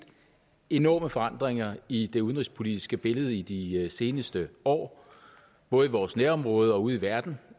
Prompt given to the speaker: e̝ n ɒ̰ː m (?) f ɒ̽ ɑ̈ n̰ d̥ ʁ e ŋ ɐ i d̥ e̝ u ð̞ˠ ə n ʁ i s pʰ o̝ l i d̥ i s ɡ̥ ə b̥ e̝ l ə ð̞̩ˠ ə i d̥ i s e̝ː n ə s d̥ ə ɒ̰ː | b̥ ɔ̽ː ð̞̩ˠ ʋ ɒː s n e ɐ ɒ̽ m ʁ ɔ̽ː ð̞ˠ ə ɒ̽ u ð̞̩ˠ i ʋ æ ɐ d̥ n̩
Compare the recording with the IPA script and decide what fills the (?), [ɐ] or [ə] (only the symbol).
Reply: ə